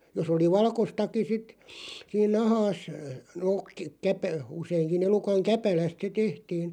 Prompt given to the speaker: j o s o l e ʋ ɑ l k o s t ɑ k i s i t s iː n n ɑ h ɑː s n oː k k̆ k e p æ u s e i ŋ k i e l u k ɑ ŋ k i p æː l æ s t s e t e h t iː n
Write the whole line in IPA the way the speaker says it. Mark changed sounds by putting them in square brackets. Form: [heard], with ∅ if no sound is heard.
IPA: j o s o l [i] ʋ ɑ l k o s t ɑ k i s i t s iː n n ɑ h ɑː s n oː k k̆ k [æ] p æ u s e i ŋ k i e l u k ɑ ŋ k [æ] p [æ] l æ s t s e t e h t iː n

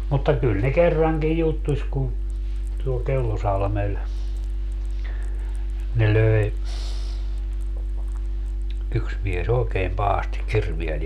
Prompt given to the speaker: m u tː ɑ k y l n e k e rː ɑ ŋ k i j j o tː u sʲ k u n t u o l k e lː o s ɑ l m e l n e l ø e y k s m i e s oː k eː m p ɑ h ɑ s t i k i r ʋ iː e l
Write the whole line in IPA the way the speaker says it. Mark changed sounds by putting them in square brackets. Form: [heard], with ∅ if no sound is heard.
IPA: m u tː ɑ k y l n e k e rː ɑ ŋ k i j j [u] tː u sʲ k u n t u o l k e lː o s ɑ l m e l n e l ø e y k s m i e s oː k eː m p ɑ h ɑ s t i k i r ʋ [i] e l

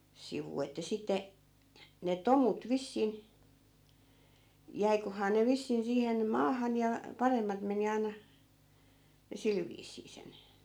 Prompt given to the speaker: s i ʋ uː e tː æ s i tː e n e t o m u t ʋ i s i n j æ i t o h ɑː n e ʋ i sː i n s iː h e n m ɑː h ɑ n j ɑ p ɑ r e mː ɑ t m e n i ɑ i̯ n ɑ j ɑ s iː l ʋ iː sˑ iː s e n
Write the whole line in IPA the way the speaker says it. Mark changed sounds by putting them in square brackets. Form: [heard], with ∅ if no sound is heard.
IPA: s i ʋ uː e tː æ s i tː e n e t o m u t ʋ i [sː] i n j æ i [k] o h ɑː n e ʋ i sː i n s iː h e n m ɑː h ɑ n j ɑ p ɑ r e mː ɑ t m e n i ɑ i̯ n ɑ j ɑ s [i] l ʋ iː sˑ iː s e n

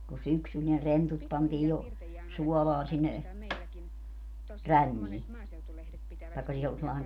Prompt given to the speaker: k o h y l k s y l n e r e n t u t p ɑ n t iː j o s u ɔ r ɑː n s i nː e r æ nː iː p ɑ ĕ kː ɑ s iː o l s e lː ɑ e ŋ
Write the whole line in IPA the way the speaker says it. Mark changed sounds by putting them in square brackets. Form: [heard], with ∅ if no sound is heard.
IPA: k o [s] y [∅] k s y l n e r e n t u t p ɑ n t iː j o s u ɔ [l] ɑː n s i nː e r æ nː iː [t] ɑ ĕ kː ɑ s iː o l s e lː ɑ e ŋ

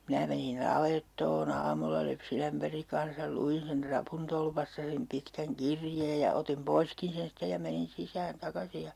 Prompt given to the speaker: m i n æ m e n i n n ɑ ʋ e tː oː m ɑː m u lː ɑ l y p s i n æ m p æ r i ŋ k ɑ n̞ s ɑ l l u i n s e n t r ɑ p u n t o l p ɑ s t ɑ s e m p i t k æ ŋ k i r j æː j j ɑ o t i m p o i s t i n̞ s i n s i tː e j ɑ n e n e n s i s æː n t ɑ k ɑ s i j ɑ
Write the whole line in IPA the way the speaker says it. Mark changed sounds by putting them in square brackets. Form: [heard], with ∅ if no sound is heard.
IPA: m i n æ m e n i n n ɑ ʋ e tː oː [n] ɑː m u lː ɑ l y p s i n æ m p æ r i ŋ k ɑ n̞ s ɑ l l u i n s e n t r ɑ p u n t o l p ɑ s t ɑ s e m p i t k æ ŋ k i r j [eː] j j ɑ o t i m p o i s [k] i n̞ s [e] n s i tː e j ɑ [m] e n [i] n s i s æː n t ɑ k ɑ s i j ɑ

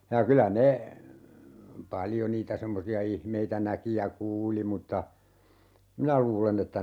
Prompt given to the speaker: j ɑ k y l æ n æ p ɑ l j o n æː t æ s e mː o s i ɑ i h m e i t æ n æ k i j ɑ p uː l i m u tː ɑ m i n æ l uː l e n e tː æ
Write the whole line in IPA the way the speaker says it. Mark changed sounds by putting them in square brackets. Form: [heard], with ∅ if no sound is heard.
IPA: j ɑ k y l æ n [e] p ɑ l j o n [iː] t æ s e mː o s i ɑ i h m e i t æ n æ k i j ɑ [k] uː l i m u tː ɑ m i n æ l uː l e n e tː æ

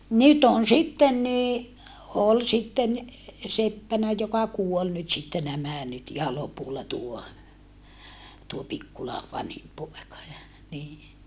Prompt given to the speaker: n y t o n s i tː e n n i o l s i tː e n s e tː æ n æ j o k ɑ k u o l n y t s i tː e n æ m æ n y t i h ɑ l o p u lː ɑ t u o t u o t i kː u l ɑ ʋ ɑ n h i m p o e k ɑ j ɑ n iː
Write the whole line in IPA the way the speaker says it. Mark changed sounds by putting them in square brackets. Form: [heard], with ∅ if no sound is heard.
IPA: n y t o n s i tː e n n i o l s i tː e n s e [pː] æ n æ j o k ɑ k u o l n y t s i tː e n æ m æ n y t i h ɑ l o p u lː ɑ t u o t u o [p] i kː u l ɑ ʋ ɑ n h i m p o e k ɑ j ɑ n iː

